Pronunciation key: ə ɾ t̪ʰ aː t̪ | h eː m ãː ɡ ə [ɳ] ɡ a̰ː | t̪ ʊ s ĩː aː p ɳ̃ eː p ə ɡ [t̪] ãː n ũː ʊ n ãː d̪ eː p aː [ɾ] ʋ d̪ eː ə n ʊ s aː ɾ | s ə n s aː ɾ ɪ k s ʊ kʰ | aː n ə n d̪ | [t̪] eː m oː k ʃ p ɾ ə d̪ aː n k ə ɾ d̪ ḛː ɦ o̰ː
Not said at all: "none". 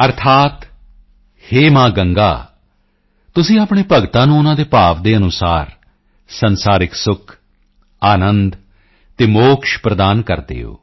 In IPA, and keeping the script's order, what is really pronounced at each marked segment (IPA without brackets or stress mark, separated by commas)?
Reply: ŋ, t̪, none, t̪